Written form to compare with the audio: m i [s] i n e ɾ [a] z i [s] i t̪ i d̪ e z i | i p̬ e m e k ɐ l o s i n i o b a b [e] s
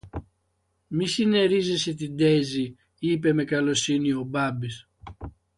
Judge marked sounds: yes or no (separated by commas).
yes, no, yes, no